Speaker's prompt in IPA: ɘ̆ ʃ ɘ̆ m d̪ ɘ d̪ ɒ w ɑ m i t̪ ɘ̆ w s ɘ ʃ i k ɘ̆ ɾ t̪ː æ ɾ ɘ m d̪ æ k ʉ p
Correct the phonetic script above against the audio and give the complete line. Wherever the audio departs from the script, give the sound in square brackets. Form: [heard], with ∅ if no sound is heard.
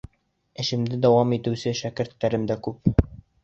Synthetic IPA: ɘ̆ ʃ ɘ̆ m d̪ ɘ d̪ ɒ w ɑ m i t̪ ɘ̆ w s ɘ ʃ [æ] k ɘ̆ ɾ t̪ː æ ɾ ɘ m d̪ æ k ʉ p